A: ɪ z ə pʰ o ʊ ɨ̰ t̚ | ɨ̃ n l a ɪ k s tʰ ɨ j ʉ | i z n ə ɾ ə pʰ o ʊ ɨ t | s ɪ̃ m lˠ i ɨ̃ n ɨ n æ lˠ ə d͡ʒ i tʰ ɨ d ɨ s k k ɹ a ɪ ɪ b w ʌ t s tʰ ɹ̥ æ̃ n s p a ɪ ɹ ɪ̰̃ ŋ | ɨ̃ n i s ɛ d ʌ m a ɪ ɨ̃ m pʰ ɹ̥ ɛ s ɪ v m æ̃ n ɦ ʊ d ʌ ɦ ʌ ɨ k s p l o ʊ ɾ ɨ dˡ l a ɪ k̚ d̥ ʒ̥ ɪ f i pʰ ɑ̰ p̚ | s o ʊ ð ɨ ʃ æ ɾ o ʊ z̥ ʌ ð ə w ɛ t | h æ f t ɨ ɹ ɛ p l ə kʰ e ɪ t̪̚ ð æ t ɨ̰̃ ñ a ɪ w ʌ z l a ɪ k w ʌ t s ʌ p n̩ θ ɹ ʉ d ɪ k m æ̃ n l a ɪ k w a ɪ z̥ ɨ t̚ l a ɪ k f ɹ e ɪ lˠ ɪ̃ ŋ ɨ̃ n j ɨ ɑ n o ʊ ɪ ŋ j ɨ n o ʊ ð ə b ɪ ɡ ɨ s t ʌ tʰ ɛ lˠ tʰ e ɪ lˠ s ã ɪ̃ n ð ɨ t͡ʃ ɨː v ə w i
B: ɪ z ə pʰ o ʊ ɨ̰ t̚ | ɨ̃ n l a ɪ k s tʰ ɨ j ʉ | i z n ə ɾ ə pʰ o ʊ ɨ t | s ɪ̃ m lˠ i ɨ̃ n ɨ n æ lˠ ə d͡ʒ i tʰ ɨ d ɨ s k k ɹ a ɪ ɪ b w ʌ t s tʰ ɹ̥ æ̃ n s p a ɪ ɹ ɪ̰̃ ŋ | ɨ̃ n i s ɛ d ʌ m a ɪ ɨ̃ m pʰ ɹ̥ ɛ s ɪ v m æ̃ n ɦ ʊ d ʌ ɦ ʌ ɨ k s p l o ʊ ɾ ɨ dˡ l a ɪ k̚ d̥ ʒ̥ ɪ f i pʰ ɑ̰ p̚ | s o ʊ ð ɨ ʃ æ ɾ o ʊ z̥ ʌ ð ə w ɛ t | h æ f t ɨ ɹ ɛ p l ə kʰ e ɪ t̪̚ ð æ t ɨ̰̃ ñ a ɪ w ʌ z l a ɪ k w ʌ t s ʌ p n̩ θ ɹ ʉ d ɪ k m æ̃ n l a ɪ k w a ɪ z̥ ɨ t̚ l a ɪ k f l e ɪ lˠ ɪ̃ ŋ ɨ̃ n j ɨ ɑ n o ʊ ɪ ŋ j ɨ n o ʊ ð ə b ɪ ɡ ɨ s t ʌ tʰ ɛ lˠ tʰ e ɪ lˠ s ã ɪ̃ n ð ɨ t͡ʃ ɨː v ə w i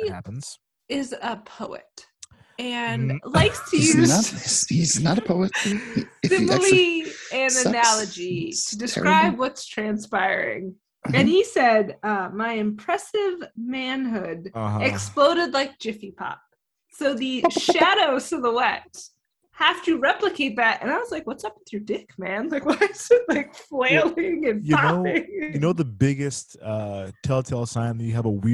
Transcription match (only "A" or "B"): B